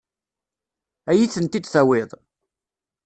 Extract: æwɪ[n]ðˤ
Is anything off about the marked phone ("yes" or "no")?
yes